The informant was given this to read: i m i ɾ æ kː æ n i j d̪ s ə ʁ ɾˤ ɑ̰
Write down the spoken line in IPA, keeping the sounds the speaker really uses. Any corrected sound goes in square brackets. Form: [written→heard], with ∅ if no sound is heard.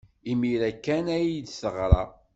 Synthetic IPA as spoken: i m i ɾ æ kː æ n [i→æ] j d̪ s ə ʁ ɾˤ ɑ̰

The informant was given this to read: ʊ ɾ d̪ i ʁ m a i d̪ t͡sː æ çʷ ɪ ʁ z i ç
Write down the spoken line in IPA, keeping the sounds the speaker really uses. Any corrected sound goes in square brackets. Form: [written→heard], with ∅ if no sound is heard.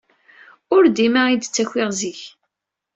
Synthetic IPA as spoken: ʊ ɾ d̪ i [ʁ→∅] m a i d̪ t͡sː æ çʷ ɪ ʁ z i ç

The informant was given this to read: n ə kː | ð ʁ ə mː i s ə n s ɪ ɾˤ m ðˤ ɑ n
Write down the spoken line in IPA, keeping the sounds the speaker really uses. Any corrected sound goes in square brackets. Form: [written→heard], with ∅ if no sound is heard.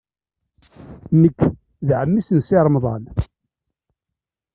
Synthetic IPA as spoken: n ə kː | ð [ʁ→ʕ] ə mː i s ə n s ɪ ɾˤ m ðˤ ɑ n

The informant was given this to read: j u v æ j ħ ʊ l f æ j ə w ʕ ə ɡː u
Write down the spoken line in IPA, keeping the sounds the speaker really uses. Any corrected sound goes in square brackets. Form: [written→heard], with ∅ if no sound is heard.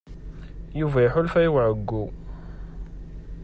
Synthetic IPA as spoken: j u v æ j ħ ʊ l f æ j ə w ʕ ə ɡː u

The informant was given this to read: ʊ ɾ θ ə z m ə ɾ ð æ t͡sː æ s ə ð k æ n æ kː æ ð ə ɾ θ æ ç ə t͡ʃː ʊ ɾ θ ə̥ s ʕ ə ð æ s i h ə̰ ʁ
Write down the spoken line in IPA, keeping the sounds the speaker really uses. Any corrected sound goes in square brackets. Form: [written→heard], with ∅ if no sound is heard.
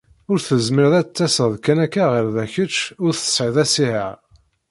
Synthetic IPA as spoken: ʊ ɾ θ ə z m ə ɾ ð æ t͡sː æ s ə ð k æ n æ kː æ [ð→ʁ] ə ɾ [θ→ð] æ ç ə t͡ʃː ʊ ɾ θ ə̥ s ʕ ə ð æ s i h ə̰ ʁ

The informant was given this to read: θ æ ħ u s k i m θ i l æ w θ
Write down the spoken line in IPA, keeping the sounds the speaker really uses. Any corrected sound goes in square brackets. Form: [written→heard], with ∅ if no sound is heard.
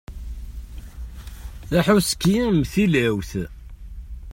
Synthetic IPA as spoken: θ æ ħ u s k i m θ i l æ w θ

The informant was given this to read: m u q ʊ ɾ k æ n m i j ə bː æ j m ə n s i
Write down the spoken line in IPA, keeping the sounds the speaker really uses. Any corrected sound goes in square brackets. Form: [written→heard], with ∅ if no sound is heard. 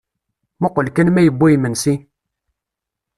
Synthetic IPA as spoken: m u q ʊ [ɾ→l] k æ n m [i→æ] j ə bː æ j m ə n s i

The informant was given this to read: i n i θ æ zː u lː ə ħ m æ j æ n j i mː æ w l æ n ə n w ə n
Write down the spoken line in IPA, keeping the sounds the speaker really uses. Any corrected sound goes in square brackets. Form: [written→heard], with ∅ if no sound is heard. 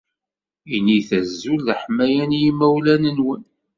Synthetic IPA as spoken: i n i θ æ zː u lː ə ħ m æ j æ n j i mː æ w l æ n ə n w ə n

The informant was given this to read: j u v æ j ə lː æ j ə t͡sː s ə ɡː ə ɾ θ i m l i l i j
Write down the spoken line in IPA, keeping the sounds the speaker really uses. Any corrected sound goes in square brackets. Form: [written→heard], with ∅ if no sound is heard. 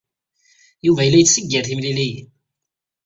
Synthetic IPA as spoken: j u v æ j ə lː æ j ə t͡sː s ə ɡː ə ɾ θ i m l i l i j

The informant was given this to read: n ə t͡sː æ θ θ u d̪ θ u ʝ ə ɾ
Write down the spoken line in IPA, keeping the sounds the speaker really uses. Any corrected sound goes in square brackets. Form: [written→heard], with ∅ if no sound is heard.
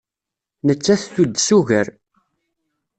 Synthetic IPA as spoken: n ə t͡sː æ θ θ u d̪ [θ→s] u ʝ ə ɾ

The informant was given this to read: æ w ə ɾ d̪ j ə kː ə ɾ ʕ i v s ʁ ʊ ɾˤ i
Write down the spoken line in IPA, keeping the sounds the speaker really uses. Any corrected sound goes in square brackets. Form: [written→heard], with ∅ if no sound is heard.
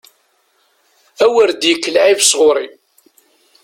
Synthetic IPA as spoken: æ w ə ɾ d̪ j ə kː ə [ɾ→l] ʕ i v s ʁ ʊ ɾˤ i

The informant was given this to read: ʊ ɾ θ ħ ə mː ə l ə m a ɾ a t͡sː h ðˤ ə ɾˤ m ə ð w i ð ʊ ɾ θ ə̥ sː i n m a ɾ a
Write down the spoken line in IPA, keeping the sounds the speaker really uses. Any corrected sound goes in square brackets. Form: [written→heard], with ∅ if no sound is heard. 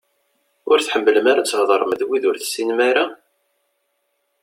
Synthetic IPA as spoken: ʊ ɾ θ ħ ə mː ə l ə m a ɾ a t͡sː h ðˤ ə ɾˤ m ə ð w i ð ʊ ɾ θ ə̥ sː i n m a ɾ a

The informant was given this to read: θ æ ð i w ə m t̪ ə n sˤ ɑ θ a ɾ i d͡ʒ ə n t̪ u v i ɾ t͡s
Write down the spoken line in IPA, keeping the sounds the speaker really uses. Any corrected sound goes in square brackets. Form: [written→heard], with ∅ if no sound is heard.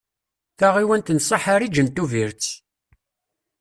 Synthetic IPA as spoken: θ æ [ð→ʁ] i w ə [m→n] t̪ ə n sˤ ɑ [θ→ħ] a ɾ i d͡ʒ ə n t̪ u v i ɾ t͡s

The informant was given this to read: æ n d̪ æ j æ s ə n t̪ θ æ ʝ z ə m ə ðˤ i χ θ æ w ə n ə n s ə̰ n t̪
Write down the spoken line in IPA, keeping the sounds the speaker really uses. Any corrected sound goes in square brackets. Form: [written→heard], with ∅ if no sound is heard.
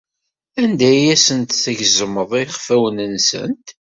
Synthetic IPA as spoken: æ n d̪ æ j æ s ə n t̪ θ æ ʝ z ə m ə ðˤ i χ [θ→f] æ w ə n ə n s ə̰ n t̪

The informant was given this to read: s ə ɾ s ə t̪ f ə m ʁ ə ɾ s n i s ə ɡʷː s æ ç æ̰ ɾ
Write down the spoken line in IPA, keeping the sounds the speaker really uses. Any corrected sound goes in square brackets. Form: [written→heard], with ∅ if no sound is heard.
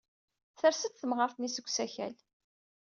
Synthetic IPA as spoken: [s→θ] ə ɾ s ə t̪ [f→θ] ə m ʁ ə ɾ [s→θ] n i s ə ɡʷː s æ ç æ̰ [ɾ→l]

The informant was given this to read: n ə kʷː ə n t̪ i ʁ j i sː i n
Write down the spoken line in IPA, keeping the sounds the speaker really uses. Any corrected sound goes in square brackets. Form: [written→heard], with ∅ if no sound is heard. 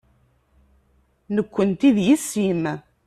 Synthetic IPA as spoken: n ə kʷː ə n t̪ i [ʁ→ð] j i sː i [n→m]

